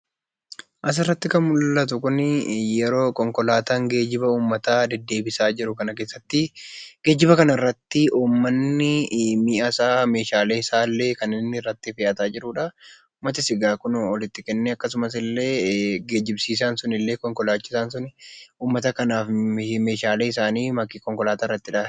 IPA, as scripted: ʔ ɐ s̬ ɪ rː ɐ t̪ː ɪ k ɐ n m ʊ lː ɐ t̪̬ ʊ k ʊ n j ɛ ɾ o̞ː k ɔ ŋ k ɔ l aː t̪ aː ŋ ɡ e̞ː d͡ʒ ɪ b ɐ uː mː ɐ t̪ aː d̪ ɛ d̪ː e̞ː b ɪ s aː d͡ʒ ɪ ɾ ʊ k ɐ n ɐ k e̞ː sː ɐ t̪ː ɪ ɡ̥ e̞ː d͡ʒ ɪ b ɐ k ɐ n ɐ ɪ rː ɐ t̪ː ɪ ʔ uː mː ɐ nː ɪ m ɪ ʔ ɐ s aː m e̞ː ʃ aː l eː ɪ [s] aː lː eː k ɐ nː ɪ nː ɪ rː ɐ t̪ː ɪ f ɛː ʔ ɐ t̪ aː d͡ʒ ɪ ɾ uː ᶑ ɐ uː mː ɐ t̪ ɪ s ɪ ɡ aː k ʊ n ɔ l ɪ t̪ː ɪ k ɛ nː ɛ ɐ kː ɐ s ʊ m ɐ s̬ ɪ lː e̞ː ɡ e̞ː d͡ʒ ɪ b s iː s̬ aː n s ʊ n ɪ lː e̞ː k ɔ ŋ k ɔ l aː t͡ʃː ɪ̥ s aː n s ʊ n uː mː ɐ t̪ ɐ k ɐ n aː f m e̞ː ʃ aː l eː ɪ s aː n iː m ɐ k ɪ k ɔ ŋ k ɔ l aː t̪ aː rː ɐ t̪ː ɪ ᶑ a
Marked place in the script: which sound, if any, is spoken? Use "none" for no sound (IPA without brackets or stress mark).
s